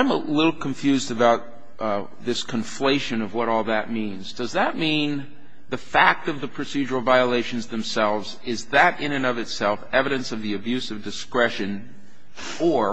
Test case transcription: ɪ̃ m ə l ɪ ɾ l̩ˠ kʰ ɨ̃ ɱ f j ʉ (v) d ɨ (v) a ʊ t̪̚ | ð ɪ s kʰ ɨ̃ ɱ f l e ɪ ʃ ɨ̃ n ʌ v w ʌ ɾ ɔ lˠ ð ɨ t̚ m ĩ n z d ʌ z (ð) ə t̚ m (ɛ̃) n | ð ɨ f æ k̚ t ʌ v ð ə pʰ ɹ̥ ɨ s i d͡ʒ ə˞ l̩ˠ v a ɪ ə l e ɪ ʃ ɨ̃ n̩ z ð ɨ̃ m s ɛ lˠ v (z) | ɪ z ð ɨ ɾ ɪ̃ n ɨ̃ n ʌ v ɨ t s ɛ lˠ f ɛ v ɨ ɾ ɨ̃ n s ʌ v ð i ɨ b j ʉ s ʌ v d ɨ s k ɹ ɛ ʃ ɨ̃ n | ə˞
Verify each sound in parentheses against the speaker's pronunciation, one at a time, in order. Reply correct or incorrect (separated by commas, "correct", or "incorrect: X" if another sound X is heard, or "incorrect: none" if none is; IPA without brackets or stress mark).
incorrect: z, incorrect: b, correct, incorrect: ĩ, correct